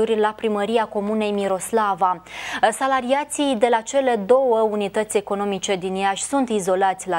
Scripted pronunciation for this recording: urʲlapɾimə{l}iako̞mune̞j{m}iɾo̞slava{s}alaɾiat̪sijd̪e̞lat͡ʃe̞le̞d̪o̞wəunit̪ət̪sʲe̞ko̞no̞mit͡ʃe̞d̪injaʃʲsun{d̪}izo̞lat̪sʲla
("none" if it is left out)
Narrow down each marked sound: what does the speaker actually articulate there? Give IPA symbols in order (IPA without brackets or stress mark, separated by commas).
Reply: ɾ, m, s, t̪